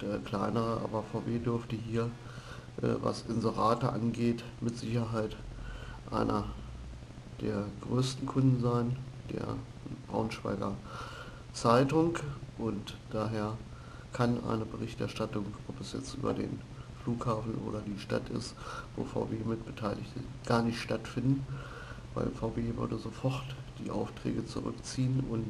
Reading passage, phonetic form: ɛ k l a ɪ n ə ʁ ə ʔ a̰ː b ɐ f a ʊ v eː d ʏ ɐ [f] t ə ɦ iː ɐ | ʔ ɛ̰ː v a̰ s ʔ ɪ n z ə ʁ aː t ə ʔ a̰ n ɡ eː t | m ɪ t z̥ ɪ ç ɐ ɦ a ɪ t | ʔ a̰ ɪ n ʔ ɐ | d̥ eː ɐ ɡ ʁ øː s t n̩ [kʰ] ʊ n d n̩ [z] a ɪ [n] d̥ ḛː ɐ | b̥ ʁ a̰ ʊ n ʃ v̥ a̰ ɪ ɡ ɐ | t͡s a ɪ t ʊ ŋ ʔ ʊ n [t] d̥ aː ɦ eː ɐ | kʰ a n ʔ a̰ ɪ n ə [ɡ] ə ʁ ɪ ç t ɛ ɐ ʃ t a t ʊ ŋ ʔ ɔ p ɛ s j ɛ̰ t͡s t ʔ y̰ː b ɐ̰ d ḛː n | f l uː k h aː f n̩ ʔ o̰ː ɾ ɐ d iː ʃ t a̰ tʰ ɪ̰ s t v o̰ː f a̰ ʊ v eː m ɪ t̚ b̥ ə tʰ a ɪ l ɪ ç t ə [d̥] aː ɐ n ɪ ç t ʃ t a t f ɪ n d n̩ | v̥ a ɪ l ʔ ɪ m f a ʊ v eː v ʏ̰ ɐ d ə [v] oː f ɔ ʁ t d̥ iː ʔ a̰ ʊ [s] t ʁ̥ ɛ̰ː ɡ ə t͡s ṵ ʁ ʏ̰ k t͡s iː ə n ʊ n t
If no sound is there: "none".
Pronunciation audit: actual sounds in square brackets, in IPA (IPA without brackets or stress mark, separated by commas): f, kʰ, z, n, t, b, ɡ̥, z, f